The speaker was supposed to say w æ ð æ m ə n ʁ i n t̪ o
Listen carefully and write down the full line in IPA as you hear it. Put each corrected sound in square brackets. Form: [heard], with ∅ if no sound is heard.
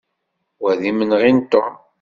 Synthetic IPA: w æ ð [i] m ə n ʁ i n t̪ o